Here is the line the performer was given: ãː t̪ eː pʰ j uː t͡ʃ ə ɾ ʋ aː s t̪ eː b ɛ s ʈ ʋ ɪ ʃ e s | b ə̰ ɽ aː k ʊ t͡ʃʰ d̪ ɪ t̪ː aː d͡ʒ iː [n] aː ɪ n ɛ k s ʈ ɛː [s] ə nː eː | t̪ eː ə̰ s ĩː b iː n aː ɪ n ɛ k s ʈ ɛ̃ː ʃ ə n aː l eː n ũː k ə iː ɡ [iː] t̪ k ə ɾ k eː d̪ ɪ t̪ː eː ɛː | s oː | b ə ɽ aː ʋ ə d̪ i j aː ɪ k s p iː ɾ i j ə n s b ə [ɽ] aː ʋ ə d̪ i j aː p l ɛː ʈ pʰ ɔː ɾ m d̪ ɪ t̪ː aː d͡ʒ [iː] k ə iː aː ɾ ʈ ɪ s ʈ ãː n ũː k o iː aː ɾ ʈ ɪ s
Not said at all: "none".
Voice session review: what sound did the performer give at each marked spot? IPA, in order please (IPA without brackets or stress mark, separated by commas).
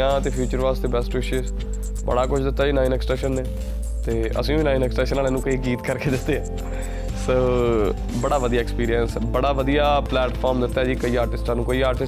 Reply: n, ʃ, iː, ɽ, iː